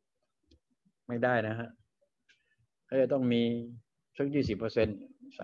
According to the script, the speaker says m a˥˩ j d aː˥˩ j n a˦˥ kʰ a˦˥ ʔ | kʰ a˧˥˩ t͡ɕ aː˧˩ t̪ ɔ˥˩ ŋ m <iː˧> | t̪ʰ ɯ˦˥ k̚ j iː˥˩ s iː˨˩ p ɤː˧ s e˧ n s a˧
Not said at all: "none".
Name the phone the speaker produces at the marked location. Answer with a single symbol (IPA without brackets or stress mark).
iː˧